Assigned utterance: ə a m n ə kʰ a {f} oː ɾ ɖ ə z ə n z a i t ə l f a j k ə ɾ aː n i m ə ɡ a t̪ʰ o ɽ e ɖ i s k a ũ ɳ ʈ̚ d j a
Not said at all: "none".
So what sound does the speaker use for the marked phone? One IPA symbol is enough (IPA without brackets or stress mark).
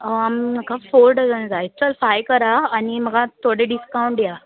f